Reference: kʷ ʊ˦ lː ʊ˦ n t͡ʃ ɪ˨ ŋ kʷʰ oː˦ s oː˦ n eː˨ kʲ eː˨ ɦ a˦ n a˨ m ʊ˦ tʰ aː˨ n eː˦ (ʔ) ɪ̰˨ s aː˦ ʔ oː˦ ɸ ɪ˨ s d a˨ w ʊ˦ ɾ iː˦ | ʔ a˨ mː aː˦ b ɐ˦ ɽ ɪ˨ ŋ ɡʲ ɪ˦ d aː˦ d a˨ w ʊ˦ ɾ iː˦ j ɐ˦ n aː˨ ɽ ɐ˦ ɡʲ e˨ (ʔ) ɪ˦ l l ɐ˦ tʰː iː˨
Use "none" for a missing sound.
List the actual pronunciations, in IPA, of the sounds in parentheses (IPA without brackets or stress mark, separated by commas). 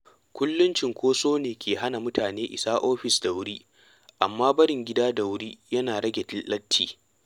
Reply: ʔ, t